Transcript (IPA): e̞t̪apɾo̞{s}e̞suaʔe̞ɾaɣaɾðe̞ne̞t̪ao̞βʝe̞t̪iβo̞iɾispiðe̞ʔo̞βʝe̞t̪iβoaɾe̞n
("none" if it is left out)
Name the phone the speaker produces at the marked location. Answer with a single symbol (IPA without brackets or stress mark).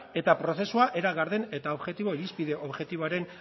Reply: θ